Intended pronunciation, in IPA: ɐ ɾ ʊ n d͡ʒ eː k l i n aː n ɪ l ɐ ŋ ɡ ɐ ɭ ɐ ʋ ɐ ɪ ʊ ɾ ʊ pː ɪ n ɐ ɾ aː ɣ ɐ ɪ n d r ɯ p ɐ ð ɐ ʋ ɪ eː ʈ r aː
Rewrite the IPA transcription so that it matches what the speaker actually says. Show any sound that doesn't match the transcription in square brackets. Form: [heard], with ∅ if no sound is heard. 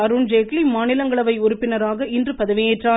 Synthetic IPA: ɐ ɾ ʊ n d͡ʒ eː k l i [m] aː n ɪ l ɐ ŋ ɡ ɐ ɭ ɐ ʋ ɐ ɪ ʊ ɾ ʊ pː ɪ n ɐ ɾ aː ɣ ɐ ɪ n d r ɯ p ɐ ð ɐ ʋ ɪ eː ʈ r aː